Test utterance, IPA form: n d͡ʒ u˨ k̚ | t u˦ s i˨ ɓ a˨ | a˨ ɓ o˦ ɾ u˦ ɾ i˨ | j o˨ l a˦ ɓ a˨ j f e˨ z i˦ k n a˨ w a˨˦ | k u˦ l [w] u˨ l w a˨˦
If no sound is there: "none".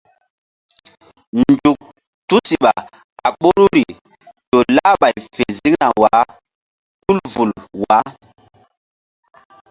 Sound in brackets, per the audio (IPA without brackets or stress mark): v